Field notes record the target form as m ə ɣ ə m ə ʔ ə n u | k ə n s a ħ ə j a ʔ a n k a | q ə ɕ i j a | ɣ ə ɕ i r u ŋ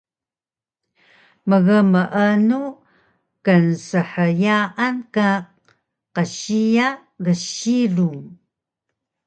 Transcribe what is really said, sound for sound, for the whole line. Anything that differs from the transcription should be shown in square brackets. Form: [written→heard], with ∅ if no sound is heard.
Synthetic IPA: m ə ɣ ə m ə ʔ ə n u | k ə n s [a→ə] ħ ə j a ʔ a n k a | q ə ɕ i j a | ɣ ə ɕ i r u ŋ